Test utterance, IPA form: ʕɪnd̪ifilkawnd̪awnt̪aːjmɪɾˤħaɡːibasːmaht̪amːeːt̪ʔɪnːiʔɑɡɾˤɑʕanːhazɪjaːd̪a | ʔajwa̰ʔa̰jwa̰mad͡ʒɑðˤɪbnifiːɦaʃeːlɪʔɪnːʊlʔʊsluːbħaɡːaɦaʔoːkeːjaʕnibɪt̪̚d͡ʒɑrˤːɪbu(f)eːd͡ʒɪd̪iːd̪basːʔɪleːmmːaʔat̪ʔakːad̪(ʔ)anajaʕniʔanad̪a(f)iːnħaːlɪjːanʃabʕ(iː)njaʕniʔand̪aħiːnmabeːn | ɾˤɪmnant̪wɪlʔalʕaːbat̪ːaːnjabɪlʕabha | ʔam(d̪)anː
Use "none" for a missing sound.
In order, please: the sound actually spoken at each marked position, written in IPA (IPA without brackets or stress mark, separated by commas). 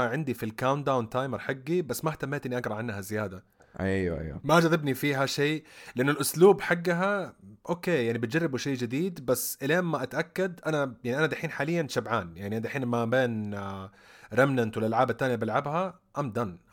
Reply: ʃ, ʔ, ħ, aː, d̪